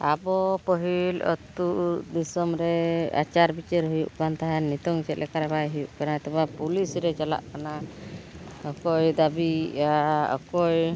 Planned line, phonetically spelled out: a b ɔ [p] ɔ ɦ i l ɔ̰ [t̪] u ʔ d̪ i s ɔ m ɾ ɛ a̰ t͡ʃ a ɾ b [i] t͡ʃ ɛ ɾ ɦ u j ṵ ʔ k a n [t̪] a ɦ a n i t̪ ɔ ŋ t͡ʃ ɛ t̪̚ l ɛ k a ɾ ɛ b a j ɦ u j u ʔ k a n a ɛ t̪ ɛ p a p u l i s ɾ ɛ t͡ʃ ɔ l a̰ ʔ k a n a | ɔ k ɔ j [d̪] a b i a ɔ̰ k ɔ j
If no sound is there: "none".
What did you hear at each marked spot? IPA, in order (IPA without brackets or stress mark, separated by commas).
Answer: p, t̪, i, t̪, d̪